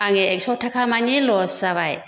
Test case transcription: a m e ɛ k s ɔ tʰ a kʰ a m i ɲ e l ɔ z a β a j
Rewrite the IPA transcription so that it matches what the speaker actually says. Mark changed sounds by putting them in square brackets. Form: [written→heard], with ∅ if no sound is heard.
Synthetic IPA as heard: a [m→ŋ] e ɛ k s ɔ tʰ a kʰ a m [i→a] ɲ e l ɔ [z→s] a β a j